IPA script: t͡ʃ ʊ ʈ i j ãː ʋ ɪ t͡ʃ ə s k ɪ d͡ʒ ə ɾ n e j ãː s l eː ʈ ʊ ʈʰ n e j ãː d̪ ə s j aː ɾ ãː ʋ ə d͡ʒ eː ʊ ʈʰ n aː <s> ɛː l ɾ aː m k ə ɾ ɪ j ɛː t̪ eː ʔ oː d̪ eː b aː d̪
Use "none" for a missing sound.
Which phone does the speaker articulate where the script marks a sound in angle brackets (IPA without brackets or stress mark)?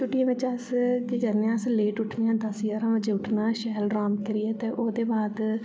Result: ʃ